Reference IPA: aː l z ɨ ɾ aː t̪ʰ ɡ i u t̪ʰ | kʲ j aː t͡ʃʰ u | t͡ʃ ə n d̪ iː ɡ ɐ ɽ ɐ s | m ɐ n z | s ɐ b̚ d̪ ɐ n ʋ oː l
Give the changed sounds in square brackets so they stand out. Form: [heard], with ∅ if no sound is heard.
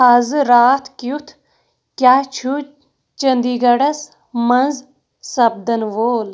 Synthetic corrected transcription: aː [∅] z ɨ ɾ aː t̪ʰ [k] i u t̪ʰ | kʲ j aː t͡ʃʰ u | t͡ʃ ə n d̪ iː ɡ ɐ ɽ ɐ s | m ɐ n z | s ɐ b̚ d̪ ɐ n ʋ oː l